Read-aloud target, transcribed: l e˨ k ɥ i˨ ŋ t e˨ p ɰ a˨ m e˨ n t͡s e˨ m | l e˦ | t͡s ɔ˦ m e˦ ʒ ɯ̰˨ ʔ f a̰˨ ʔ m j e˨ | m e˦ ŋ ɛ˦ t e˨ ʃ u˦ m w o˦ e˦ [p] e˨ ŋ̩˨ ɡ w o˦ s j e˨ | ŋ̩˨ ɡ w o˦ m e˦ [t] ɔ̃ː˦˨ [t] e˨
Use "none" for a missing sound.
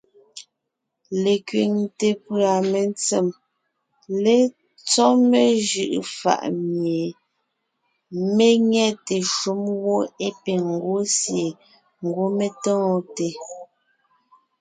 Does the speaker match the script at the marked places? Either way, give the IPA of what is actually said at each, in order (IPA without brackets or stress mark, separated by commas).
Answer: p, t, t